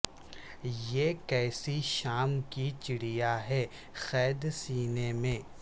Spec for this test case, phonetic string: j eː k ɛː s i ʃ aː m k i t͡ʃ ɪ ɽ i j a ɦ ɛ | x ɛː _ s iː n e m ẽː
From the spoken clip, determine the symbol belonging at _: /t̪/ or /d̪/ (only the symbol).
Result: d̪